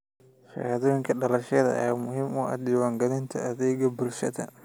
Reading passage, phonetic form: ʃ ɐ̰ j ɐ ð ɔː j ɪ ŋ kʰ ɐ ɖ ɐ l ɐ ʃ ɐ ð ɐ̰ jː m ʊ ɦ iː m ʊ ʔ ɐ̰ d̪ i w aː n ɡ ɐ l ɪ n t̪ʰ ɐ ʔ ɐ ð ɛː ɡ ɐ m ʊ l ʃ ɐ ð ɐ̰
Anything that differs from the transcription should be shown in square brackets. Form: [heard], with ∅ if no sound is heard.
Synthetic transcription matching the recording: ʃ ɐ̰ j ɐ ð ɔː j ɪ ŋ kʰ ɐ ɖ ɐ l ɐ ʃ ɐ ð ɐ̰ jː m ʊ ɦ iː m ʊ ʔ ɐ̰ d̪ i w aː [ŋ] ɡ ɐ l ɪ n t̪ʰ ɐ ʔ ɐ ð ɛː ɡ ɐ [b] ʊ l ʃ ɐ ð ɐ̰